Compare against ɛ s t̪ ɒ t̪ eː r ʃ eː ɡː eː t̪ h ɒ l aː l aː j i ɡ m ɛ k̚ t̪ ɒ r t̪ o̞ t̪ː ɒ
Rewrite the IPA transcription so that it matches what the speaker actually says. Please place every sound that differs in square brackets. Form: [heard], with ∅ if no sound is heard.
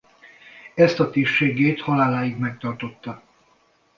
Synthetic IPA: ɛ s t̪ ɒ t̪ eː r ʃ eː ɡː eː t̪ h ɒ l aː l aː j i ɡ m ɛ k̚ t̪ ɒ r t̪ o̞ t̪ː ɒ